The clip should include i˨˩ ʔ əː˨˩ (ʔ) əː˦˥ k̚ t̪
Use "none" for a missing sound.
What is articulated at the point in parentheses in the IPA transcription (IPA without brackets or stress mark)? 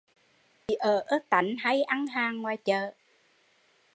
ʔ